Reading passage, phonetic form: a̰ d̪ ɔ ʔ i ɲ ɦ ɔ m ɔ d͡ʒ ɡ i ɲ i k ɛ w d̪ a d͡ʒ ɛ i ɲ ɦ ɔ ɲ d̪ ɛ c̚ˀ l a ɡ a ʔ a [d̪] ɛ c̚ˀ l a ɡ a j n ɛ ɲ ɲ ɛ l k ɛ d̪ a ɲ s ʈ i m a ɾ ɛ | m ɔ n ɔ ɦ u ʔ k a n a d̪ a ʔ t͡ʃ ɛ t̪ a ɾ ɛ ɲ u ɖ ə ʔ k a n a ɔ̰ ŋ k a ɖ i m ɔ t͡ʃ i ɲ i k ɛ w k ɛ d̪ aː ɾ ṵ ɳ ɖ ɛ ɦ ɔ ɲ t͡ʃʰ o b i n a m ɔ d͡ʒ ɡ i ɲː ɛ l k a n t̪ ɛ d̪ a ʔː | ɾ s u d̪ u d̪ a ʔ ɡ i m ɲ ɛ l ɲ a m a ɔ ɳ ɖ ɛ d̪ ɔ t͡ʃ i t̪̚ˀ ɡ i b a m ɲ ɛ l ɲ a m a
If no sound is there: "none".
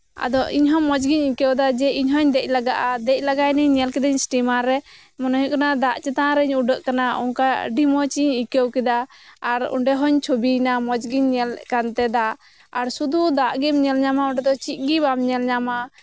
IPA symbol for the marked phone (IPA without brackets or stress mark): d̪